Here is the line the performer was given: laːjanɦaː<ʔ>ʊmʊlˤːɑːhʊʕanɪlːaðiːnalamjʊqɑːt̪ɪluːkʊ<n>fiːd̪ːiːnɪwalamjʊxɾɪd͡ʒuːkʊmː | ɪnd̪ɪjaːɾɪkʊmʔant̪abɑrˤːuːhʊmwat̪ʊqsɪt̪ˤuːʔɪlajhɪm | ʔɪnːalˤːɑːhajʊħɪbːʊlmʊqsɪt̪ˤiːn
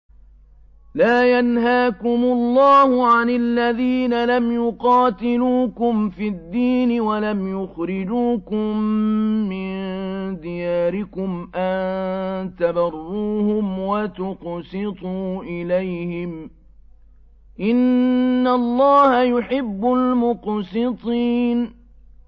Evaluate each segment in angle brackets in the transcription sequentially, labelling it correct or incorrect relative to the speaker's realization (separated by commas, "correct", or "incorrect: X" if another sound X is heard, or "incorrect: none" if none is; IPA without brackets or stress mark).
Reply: incorrect: k, incorrect: m